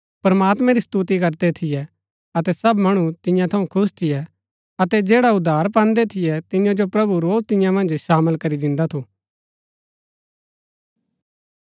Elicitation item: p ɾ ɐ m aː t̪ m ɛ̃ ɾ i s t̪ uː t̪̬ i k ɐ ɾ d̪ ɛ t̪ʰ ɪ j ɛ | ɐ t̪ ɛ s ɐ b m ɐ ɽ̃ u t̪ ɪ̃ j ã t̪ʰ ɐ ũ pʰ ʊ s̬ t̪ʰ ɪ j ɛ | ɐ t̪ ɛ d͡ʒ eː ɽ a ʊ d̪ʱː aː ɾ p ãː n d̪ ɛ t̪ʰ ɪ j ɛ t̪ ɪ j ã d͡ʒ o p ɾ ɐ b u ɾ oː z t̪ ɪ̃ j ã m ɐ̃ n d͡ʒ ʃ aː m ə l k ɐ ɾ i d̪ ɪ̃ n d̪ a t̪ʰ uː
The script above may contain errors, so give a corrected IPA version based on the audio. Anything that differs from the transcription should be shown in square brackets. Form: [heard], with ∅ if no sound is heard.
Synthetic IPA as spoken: p ɾ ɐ m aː t̪ m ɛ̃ ɾ i s t̪ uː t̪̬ i k ɐ ɾ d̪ ɛ t̪ʰ ɪ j ɛ | ɐ t̪ ɛ s ɐ b m ɐ ɽ̃ u t̪ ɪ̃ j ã t̪ʰ ɐ ũ [kʰ] ʊ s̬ t̪ʰ ɪ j ɛ | ɐ t̪ ɛ d͡ʒ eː ɽ a ʊ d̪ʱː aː ɾ p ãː n d̪ ɛ t̪ʰ ɪ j ɛ t̪ ɪ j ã d͡ʒ o p ɾ ɐ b u ɾ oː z t̪ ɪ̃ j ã m ɐ̃ n d͡ʒ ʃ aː m ə l k ɐ ɾ i d̪ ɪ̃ n d̪ a t̪ʰ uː